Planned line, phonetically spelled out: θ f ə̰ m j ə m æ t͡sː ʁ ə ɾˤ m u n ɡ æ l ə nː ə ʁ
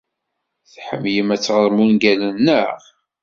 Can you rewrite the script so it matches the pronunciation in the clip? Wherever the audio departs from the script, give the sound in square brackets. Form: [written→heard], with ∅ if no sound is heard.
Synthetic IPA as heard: θ [f→ħ] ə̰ m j ə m æ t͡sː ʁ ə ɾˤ m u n ɡ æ l ə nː ə ʁ